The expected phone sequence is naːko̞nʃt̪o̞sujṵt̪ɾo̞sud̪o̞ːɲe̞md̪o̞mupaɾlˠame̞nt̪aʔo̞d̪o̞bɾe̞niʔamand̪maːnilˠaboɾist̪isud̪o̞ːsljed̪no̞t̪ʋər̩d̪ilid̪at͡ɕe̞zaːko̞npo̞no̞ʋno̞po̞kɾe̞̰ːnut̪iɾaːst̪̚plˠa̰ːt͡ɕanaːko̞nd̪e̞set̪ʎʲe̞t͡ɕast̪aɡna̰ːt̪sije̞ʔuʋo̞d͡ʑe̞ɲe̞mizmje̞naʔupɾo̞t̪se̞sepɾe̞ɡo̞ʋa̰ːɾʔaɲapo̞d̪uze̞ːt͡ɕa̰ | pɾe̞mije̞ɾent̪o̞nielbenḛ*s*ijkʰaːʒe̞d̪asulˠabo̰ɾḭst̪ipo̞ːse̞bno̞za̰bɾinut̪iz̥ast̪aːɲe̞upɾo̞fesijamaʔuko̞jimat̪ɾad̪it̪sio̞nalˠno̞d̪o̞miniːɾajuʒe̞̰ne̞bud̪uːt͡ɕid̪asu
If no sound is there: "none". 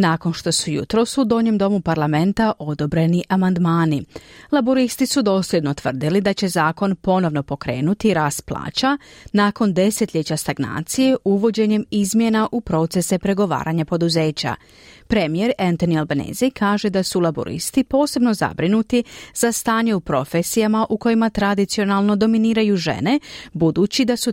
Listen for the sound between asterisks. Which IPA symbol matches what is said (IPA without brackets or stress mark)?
z